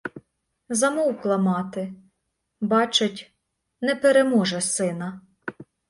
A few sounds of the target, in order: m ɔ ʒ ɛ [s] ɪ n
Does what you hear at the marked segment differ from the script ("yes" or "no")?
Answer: no